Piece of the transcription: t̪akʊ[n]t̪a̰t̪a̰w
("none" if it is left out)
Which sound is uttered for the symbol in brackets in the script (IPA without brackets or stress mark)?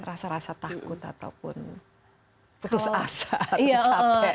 none